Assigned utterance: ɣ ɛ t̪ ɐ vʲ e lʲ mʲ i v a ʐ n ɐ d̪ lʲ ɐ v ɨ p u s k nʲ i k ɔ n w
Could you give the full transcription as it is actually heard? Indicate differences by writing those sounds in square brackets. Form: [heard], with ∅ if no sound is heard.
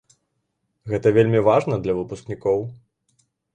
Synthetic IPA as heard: ɣ ɛ t̪ ɐ vʲ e lʲ mʲ i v a ʐ n ɐ d̪ lʲ ɐ v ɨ p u s k nʲ i k ɔ [∅] w